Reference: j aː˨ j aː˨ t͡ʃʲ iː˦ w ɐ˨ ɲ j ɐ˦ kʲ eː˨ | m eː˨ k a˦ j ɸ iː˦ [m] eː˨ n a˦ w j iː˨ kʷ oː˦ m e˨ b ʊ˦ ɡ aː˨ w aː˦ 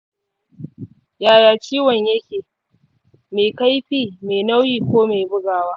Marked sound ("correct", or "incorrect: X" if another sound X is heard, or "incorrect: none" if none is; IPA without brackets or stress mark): correct